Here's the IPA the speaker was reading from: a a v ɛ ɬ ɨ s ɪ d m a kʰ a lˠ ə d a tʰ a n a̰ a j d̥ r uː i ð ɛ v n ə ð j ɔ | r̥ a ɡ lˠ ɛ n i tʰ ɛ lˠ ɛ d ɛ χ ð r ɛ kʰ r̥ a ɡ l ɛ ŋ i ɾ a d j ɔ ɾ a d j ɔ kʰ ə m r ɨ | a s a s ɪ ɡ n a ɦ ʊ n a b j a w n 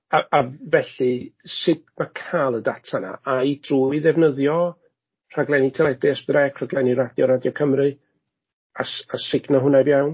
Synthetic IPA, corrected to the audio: a a v ɛ ɬ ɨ s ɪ d m a kʰ a lˠ ə d a tʰ a n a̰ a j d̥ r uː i ð ɛ v n ə ð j ɔ | r̥ a ɡ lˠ ɛ n i tʰ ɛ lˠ ɛ d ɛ s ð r ɛ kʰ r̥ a ɡ l ɛ n i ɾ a d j ɔ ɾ a d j ɔ kʰ ə m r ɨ | a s a s ɪ ɡ n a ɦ ʊ n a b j a w n